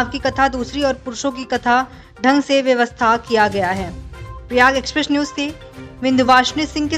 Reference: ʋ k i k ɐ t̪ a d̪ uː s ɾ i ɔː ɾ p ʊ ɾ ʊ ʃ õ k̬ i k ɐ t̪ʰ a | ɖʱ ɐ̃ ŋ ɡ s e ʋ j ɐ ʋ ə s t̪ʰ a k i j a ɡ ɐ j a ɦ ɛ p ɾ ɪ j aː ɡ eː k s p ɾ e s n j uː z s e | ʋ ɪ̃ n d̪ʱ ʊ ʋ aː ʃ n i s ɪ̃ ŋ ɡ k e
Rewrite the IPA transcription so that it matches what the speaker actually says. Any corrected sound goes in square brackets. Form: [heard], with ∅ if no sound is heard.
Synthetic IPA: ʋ k i k ɐ [t̪ʰ] a d̪ uː s ɾ i ɔː ɾ p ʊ ɾ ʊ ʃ õ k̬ i k ɐ t̪ʰ a | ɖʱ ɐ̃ ŋ ɡ s e ʋ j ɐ ʋ ə s t̪ʰ a k i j a ɡ ɐ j a ɦ [ɛː] p ɾ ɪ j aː ɡ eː k s p ɾ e s n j uː z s e | ʋ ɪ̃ n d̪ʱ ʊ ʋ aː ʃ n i s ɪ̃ ŋ ɡ k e